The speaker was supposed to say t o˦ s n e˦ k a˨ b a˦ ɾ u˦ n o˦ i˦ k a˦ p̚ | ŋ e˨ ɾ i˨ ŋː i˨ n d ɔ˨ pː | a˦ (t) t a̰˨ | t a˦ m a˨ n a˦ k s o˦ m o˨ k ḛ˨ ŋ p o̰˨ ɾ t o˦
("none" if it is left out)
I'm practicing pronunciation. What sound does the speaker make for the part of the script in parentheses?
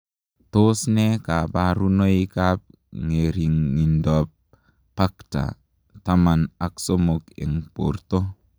k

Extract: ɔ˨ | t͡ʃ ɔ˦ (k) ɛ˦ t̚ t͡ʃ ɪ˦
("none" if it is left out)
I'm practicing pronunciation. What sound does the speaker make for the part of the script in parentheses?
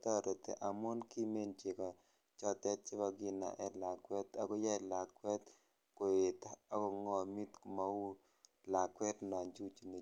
t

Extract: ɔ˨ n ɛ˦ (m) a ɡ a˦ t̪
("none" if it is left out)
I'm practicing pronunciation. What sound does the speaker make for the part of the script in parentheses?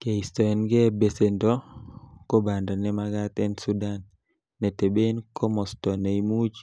m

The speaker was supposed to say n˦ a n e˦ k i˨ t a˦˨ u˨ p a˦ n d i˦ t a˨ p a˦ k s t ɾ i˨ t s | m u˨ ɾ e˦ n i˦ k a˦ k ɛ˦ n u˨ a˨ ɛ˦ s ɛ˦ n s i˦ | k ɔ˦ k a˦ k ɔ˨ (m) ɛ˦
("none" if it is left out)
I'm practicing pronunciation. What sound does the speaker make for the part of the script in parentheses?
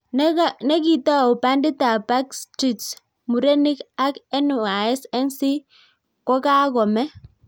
m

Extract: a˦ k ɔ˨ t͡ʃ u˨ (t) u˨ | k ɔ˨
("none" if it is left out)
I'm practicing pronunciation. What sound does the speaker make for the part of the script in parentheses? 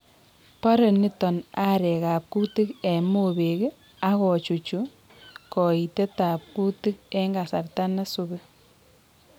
t͡ʃ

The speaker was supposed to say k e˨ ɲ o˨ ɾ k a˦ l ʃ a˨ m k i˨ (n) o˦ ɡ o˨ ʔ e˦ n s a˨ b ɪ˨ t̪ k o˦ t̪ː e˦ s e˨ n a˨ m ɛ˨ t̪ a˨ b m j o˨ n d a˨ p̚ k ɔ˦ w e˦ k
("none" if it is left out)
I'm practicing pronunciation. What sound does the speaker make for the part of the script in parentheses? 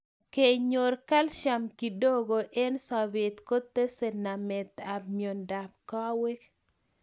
d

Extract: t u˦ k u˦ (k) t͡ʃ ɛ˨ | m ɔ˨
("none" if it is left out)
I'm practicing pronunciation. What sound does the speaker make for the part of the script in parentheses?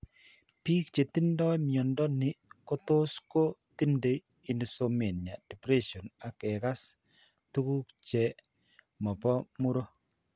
k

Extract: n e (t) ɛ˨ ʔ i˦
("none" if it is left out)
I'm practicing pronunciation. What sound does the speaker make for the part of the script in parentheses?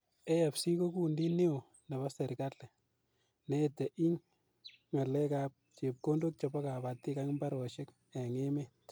t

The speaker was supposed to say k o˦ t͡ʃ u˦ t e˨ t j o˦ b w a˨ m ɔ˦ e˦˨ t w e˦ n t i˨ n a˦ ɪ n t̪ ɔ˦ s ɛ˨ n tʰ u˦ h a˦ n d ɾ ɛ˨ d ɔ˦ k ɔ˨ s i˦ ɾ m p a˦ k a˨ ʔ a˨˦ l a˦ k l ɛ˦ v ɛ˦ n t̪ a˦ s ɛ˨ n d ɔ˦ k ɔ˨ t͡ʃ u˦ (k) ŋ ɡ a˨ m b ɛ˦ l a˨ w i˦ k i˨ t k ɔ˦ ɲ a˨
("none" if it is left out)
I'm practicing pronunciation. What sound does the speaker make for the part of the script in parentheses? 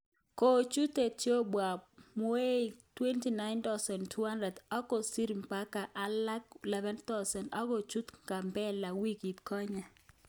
t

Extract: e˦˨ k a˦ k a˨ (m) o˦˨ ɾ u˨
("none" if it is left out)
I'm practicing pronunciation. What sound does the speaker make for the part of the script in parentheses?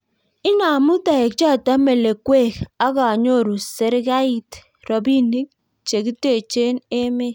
ɲ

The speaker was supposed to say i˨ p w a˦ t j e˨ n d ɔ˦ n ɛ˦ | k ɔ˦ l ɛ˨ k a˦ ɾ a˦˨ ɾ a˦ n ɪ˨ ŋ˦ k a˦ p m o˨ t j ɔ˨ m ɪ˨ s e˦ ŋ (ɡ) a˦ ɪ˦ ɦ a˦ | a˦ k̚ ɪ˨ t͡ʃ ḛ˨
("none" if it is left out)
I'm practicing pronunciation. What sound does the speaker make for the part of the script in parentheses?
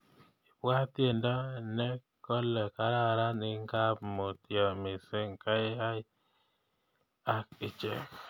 k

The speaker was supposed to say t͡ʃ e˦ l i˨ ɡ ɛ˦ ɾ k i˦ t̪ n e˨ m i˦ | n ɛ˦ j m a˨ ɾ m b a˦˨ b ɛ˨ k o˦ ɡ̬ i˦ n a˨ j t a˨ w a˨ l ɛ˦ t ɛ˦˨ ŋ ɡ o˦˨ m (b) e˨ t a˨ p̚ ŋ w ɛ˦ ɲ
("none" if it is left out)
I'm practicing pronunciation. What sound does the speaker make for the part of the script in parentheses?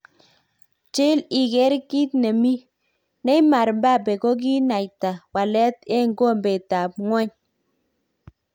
b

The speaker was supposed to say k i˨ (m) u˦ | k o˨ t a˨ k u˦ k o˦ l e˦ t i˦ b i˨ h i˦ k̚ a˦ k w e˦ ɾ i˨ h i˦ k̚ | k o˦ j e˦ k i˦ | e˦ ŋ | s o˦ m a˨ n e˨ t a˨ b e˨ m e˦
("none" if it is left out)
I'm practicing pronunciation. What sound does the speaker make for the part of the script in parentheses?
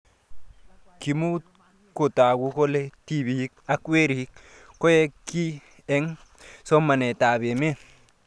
m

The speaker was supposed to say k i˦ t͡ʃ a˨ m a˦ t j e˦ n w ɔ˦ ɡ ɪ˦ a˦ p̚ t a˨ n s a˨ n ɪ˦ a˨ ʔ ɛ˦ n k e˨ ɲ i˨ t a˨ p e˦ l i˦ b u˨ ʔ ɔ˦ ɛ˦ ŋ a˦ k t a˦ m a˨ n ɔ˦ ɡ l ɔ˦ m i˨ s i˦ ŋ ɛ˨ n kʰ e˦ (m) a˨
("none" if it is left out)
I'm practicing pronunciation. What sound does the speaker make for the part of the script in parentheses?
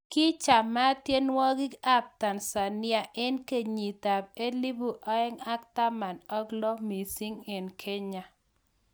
ɲ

